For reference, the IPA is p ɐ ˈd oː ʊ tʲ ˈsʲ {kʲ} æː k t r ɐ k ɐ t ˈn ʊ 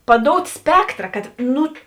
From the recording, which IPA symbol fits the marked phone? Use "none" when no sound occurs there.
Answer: pʲ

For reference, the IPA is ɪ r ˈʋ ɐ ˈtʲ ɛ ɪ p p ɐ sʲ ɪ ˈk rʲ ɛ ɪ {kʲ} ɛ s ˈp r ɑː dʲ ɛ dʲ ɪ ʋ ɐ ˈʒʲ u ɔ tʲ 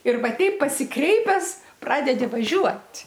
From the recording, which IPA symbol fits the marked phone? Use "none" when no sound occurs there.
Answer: pʲ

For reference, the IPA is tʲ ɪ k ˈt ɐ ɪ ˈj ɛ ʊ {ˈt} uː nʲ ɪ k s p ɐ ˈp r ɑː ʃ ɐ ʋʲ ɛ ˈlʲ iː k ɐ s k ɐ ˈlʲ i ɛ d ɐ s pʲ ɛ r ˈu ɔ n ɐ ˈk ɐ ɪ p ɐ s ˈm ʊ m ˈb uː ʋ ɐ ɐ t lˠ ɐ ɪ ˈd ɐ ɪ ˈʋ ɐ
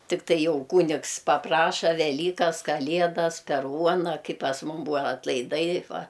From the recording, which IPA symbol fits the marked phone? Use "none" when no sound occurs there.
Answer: k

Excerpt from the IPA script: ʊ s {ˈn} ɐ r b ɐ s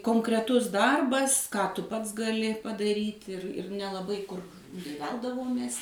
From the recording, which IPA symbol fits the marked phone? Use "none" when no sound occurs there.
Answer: d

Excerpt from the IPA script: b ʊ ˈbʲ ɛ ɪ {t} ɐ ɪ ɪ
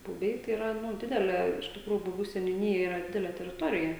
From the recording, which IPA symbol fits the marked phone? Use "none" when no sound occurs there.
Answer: t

